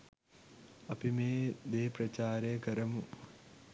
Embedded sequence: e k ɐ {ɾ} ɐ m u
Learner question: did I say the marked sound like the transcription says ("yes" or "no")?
yes